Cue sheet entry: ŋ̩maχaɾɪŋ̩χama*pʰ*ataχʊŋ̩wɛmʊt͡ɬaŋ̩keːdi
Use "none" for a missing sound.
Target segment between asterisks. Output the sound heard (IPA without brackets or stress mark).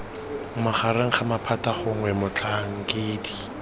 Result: pʰ